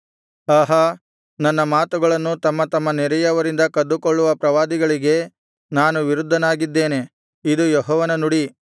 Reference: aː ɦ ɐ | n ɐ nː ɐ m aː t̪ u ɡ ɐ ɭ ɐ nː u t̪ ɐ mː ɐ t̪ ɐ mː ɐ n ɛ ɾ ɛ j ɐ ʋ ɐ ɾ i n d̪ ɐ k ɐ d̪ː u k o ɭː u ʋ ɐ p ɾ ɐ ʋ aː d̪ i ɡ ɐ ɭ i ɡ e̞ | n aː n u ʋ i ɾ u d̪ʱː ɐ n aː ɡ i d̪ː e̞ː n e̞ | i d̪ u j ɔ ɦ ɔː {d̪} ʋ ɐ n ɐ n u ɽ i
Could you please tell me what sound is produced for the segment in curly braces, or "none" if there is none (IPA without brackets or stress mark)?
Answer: none